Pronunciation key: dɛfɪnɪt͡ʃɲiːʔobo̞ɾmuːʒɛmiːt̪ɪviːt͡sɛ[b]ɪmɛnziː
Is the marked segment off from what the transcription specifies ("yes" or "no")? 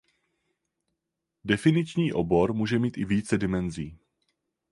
yes